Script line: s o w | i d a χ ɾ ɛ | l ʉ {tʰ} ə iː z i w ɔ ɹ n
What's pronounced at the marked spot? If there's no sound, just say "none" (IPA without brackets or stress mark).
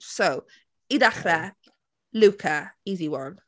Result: kʰ